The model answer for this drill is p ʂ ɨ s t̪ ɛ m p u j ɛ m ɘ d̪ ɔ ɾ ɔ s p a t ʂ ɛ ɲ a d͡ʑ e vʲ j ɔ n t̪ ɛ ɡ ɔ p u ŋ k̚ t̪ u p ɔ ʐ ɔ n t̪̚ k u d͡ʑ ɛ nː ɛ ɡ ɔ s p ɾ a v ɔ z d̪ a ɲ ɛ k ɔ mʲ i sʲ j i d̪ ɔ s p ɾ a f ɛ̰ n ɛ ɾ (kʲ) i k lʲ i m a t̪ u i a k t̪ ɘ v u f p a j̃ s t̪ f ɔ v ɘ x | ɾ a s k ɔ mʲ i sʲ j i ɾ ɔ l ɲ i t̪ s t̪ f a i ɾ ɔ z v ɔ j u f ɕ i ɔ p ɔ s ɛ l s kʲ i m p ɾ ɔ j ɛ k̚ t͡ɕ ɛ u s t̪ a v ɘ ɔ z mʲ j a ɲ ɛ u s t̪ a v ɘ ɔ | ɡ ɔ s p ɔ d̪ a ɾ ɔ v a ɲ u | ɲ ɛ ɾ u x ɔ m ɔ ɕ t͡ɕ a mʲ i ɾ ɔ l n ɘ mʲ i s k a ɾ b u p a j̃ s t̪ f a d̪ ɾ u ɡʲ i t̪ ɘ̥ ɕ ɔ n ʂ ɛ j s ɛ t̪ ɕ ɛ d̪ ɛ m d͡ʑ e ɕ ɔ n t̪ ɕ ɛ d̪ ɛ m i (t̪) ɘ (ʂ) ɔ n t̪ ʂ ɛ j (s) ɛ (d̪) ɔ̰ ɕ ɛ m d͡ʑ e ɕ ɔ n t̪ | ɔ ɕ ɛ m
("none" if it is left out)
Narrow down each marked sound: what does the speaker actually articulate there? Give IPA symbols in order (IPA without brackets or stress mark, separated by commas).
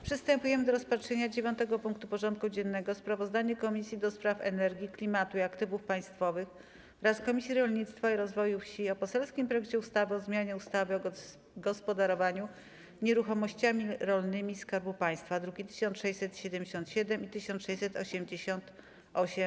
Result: ɡʲ, t̪, ɕ, s, t̪